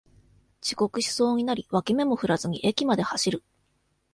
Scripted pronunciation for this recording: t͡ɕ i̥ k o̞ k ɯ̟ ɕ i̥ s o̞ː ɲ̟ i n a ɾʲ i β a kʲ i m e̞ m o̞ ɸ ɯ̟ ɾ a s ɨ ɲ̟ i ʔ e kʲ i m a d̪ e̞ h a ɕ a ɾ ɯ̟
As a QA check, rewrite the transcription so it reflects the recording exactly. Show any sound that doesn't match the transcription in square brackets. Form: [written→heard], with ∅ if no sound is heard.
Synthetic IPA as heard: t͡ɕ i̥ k o̞ k ɯ̟ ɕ i̥ s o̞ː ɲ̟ i n a ɾʲ i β a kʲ i m e̞ m o̞ ɸ ɯ̟ ɾ a [s→z] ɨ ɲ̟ i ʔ e kʲ i m a d̪ e̞ h a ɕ [a→i] ɾ ɯ̟